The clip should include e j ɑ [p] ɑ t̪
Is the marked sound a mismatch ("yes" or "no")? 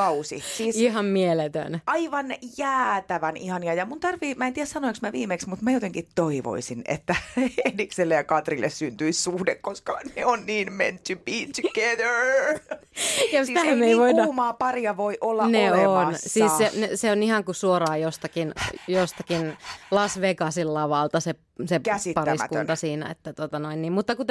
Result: yes